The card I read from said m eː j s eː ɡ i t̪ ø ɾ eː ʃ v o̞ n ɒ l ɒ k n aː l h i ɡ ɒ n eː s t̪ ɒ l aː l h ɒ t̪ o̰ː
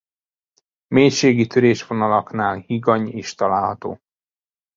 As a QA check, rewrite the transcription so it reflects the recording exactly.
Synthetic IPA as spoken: m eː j ʃ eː ɡ i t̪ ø ɾ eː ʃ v o̞ n ɒ l ɒ k n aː l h i ɡ ɒ ɲ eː ʃ t̪ ɒ l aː l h ɒ t̪ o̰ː